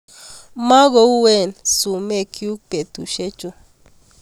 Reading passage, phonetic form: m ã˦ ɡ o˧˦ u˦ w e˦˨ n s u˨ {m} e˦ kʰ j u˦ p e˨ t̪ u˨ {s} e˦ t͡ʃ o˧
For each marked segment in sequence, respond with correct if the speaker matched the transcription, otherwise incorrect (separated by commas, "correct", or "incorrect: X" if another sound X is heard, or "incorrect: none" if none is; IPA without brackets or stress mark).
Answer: correct, incorrect: ʃ